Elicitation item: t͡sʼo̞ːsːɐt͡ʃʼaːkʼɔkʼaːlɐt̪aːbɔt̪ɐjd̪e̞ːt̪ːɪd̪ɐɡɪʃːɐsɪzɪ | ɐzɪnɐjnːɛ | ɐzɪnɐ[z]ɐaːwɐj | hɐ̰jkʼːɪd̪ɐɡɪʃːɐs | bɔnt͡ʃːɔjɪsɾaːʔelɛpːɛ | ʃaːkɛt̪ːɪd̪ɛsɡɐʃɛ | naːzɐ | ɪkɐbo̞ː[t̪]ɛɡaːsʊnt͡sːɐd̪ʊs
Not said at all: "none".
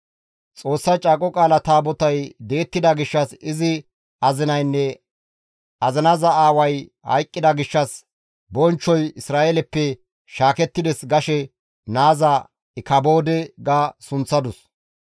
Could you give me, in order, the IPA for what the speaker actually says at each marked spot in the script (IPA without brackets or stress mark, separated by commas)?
z, d̪